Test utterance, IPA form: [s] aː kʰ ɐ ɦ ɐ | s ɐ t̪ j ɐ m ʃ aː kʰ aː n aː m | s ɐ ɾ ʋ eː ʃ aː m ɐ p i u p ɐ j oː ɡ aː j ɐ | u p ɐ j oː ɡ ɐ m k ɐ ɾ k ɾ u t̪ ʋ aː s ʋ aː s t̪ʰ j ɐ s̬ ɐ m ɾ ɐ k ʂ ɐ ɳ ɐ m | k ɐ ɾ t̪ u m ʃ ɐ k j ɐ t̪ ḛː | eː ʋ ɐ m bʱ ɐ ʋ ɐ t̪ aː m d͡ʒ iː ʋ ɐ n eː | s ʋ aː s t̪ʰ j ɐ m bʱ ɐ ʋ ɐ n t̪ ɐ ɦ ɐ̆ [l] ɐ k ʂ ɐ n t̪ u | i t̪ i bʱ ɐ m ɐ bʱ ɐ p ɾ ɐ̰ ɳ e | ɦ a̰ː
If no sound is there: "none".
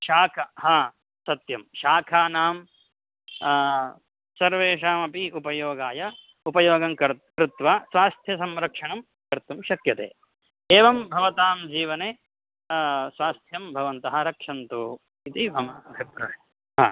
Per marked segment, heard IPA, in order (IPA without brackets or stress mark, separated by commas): ʃ, ɾ